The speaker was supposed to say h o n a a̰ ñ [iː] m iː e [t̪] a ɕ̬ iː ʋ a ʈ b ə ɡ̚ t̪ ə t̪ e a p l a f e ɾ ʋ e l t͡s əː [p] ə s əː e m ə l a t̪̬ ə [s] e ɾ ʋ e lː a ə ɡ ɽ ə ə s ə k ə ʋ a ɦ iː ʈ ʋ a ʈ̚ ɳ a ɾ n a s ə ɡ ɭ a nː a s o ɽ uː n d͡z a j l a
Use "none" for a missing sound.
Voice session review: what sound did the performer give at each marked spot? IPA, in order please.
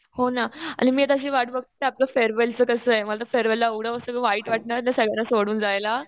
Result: i, t̪, k, f

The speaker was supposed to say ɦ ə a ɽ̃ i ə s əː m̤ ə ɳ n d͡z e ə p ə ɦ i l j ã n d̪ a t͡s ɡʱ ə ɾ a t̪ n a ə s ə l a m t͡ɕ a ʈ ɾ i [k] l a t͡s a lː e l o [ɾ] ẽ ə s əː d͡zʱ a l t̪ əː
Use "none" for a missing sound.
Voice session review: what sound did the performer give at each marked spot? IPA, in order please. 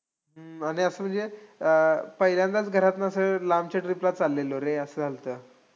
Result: p, ɾ

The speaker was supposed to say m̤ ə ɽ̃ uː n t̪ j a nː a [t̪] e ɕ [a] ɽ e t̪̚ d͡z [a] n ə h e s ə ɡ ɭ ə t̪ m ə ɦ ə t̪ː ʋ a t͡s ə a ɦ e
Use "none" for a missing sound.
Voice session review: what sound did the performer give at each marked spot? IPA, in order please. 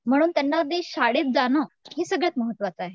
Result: d̪, a, a

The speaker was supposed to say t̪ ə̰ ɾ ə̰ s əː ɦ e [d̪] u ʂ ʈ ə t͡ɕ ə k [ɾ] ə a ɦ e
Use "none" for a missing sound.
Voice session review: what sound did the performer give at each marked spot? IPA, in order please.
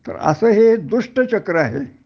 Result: d̪, ɾ

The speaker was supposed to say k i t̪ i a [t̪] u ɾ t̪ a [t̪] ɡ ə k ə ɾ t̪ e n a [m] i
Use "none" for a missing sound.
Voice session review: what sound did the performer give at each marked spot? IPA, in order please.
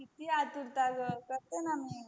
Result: t̪, none, m

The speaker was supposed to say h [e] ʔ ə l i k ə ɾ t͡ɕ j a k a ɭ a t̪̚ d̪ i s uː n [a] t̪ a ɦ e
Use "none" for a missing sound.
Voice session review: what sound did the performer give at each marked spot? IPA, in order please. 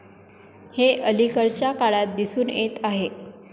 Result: e, e

